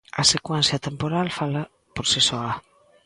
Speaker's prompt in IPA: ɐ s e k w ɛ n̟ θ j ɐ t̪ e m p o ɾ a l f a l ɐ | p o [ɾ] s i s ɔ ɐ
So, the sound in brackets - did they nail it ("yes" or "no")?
yes